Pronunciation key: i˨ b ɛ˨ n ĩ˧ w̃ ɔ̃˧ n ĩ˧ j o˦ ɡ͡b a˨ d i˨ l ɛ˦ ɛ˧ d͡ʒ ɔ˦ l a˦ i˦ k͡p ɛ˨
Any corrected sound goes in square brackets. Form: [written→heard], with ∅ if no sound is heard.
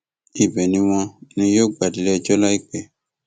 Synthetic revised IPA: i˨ b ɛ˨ n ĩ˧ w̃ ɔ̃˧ n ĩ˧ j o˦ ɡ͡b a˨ d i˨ l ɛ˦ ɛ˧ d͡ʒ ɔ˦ l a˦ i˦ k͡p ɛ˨